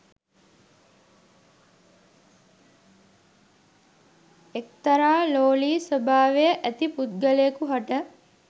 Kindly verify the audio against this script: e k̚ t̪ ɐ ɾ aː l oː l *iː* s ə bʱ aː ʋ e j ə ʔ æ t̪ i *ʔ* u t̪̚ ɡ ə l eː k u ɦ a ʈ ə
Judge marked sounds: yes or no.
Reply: yes, no

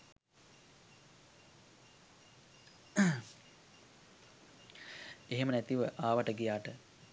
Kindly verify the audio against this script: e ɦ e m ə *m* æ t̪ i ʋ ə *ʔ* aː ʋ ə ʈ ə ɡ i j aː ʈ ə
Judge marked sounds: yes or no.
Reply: no, yes

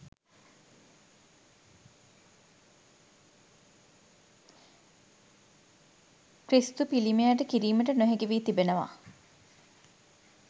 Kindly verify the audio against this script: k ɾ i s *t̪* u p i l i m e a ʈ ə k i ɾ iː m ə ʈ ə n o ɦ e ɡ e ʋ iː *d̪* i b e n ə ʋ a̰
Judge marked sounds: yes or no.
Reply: yes, no

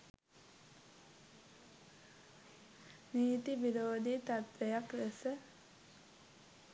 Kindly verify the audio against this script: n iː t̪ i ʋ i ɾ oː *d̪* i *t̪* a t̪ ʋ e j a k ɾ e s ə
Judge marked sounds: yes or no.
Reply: yes, yes

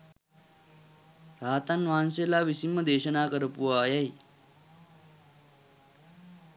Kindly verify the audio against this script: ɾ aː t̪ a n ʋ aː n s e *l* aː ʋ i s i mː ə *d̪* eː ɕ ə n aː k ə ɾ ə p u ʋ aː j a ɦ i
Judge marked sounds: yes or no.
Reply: yes, yes

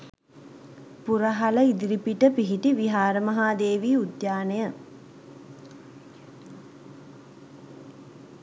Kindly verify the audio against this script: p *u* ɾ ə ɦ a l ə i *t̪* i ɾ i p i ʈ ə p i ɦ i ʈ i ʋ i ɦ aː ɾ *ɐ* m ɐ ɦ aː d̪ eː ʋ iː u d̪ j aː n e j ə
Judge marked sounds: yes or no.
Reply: yes, no, no

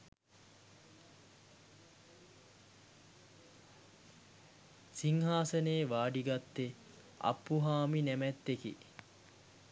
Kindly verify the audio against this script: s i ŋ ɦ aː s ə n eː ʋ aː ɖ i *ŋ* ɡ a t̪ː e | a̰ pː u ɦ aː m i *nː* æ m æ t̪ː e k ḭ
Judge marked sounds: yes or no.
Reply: no, no

